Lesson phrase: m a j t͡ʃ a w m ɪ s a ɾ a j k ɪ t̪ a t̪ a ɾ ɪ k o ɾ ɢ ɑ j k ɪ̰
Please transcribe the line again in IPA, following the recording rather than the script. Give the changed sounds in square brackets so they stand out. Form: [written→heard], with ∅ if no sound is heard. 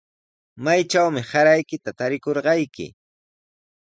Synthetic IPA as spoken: m a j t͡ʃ a w m ɪ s a ɾ a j k ɪ t̪ a t̪ a ɾ ɪ k o ɾ ɢ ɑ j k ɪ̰